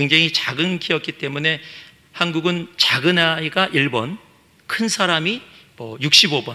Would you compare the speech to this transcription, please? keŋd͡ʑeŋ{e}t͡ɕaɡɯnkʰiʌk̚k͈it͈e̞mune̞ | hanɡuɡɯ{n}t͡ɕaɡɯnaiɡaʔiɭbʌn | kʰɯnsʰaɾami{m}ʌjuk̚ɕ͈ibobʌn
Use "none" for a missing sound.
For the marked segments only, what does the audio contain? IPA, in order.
i, n, m

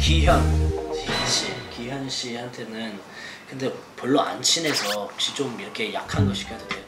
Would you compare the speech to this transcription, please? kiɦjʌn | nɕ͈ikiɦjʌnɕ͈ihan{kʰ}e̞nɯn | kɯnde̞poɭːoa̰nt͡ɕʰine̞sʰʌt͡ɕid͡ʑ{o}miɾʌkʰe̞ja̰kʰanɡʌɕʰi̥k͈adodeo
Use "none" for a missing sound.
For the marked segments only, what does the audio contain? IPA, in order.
tʰ, o

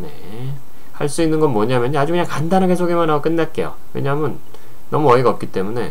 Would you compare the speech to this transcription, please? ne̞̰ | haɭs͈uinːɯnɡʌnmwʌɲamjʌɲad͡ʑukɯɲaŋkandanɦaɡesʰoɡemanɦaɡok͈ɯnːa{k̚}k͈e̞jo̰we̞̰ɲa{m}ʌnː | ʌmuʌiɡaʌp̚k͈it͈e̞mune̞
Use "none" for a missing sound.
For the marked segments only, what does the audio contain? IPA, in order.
t̚, m

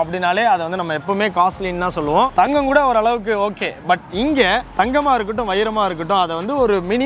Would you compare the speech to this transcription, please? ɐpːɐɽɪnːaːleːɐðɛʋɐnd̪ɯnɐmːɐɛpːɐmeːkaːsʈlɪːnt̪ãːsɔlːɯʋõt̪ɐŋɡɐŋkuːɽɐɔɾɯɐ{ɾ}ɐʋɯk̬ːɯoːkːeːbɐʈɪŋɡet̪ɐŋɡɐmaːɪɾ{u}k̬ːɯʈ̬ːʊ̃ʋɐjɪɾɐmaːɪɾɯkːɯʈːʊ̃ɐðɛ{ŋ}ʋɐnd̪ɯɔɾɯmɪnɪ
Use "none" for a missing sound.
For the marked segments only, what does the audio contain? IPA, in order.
ɭ, ɯ, none

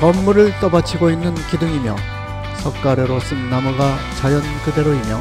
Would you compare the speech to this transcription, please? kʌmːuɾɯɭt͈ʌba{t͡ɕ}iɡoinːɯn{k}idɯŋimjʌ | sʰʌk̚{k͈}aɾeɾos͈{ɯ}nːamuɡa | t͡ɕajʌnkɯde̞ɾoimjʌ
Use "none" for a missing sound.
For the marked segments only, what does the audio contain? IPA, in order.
t͡ɕʰ, k, k͈, ɯ

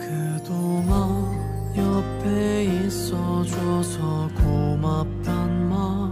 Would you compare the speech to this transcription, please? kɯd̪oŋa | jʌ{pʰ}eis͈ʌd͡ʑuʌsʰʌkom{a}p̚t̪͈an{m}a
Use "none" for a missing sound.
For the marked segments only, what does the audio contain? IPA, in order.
pʰ, a, m

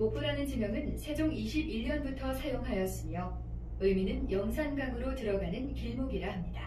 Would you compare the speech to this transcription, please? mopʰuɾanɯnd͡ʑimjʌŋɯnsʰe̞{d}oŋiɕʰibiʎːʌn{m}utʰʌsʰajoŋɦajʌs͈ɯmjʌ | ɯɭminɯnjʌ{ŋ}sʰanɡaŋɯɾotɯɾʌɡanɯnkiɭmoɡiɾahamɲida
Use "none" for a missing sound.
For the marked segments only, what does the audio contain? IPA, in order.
d͡ʑ, b, ŋ

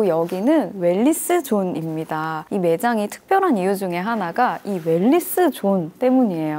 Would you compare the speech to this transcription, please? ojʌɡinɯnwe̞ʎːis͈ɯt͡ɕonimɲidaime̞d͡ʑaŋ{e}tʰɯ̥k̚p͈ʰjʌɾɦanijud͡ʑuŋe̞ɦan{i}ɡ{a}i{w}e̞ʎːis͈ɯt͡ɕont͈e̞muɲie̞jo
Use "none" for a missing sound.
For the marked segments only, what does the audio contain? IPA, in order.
i, a, a, w

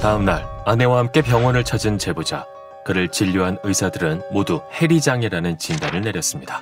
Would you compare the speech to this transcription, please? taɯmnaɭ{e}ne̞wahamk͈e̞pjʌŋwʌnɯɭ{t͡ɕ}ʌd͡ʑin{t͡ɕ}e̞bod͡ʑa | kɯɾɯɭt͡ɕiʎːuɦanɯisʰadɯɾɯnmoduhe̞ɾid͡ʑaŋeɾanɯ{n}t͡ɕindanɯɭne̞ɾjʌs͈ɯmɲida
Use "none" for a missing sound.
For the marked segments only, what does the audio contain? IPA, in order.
a, t͡ɕʰ, t͡ɕ, n

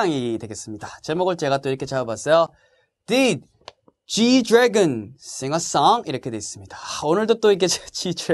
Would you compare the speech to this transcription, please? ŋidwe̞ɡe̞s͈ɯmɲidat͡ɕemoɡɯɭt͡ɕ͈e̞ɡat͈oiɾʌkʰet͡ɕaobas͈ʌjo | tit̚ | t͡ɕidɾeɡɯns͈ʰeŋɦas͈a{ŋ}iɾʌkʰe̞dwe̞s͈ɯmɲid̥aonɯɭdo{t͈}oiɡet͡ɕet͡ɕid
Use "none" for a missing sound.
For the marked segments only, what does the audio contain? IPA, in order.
ŋ, t͈

